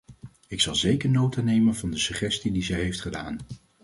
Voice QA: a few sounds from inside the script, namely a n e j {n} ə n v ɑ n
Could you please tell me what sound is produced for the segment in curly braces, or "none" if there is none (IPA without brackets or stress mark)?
m